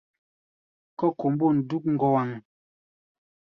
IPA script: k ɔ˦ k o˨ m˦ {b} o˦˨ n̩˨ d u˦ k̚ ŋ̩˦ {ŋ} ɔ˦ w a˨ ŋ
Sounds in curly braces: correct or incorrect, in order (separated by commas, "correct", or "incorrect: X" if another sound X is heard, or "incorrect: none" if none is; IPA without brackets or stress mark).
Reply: correct, incorrect: ɡ